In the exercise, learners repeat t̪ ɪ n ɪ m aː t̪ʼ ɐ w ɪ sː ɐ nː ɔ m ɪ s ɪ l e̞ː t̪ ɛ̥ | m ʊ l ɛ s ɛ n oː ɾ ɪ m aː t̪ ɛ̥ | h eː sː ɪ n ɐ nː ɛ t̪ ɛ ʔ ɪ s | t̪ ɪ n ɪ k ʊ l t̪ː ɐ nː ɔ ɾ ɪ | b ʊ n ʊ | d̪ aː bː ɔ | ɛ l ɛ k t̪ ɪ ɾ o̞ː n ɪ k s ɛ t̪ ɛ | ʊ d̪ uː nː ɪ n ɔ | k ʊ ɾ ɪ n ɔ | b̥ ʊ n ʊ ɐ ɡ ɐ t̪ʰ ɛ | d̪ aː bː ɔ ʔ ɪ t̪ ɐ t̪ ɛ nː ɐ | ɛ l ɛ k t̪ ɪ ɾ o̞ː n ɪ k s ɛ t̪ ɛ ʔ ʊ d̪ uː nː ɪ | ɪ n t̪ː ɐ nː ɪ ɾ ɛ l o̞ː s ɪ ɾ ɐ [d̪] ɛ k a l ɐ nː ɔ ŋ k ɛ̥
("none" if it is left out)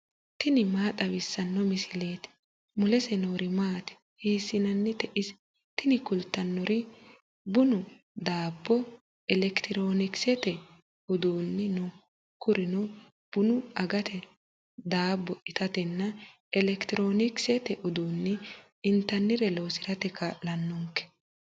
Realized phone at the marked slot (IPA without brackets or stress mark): t̪